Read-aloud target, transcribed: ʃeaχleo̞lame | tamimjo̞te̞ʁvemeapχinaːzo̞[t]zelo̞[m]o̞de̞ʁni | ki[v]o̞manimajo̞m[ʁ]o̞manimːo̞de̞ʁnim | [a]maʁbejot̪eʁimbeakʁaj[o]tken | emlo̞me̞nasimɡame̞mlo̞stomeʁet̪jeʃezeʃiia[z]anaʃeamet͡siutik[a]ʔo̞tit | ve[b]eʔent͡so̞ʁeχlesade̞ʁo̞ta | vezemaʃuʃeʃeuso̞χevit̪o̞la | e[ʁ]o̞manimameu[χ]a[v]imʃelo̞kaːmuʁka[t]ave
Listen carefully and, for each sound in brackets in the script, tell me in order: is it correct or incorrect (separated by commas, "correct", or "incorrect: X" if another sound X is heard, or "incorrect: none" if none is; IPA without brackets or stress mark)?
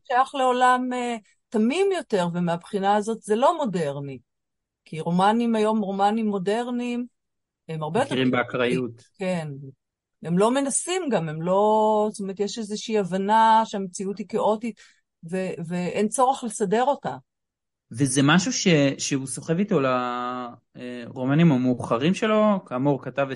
correct, correct, incorrect: ʁ, correct, incorrect: e, incorrect: u, incorrect: v, incorrect: e, incorrect: v, correct, correct, incorrect: ʁ, correct